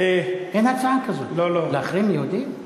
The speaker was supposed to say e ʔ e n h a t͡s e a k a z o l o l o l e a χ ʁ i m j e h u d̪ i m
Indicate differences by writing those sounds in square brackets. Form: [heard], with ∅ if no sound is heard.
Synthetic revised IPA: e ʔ e n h a t͡s [a] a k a z o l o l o l e a χ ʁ i m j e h u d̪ i m